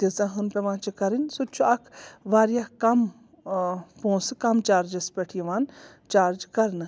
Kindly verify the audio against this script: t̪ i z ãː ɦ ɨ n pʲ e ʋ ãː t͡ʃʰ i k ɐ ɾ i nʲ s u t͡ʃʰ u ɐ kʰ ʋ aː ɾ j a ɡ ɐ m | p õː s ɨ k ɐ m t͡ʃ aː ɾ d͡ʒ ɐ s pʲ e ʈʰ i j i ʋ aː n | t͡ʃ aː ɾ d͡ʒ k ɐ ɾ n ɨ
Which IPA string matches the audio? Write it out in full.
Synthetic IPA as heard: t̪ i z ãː ɦ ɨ n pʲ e ʋ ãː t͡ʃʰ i k ɐ ɾ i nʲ s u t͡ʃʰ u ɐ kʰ ʋ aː ɾ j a k ɐ m | p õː s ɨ k ɐ m t͡ʃ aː ɾ d͡ʒ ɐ s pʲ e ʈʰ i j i ʋ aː n | t͡ʃ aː ɾ d͡ʒ k ɐ ɾ n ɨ